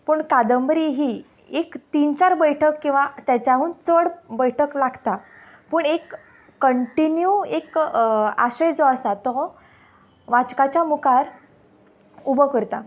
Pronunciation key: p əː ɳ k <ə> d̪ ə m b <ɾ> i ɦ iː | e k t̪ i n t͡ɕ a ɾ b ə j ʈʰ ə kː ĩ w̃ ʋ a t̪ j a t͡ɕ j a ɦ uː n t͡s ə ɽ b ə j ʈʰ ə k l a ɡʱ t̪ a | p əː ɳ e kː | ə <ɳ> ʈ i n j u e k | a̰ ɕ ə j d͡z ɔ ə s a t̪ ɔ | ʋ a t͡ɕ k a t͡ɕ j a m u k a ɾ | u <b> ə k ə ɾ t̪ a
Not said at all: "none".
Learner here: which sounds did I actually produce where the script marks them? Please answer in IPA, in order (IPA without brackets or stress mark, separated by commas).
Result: a, ɾ, ɳ, b